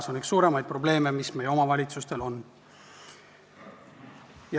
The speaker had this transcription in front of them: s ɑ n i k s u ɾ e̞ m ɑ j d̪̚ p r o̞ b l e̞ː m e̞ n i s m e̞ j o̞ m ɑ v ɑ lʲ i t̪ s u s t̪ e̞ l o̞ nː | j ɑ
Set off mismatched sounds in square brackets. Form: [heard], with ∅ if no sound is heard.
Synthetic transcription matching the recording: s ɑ n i k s [uː] ɾ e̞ m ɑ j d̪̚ p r o̞ b l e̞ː m e̞ [m] i s m e̞ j o̞ m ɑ v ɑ lʲ i t̪ s u s t̪ e̞ l o̞ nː | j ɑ